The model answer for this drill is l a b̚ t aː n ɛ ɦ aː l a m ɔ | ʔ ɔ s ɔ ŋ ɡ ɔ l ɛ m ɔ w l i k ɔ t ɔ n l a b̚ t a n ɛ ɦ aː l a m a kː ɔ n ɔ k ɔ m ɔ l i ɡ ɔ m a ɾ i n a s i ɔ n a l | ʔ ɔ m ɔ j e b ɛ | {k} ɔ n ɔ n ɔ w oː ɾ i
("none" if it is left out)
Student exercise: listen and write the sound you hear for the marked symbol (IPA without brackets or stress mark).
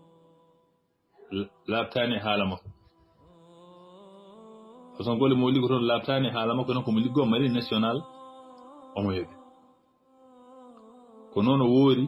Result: k